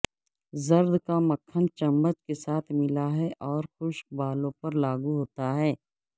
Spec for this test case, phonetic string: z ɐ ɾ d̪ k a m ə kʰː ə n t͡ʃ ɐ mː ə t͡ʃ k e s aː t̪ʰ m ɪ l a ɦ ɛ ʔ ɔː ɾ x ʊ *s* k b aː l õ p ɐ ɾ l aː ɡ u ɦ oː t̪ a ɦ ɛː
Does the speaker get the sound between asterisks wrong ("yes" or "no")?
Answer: yes